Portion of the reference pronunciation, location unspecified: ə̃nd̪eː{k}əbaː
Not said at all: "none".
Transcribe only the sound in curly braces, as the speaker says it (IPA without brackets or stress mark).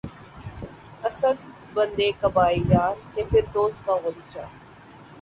k